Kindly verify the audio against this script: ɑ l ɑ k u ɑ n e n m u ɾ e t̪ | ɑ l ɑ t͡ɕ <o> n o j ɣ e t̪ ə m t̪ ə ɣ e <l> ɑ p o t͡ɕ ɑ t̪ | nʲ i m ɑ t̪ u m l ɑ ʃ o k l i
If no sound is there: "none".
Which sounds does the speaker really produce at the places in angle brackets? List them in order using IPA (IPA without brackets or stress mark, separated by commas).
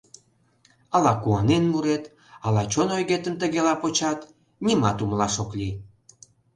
o, l